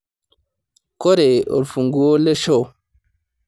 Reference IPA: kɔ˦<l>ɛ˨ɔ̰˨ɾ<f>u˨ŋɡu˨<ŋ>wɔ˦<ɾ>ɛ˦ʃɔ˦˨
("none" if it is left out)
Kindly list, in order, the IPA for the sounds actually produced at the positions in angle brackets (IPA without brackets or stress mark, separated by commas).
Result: ɾ, f, none, l